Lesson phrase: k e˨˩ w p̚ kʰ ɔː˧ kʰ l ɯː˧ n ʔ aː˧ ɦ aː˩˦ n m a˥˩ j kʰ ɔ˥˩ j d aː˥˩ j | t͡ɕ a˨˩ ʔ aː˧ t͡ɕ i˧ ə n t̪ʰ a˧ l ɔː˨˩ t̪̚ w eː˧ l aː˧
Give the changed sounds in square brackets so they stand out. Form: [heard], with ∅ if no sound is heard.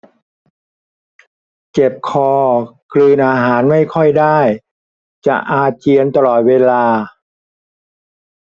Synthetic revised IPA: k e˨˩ [∅] p̚ kʰ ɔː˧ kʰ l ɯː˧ n ʔ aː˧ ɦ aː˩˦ n m a˥˩ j kʰ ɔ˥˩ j d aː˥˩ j | t͡ɕ a˨˩ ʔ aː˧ t͡ɕ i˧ ə n [t̪] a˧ l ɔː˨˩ t̪̚ w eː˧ l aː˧